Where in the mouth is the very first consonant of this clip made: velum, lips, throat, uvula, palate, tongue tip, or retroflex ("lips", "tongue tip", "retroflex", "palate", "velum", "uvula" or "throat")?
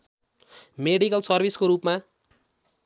lips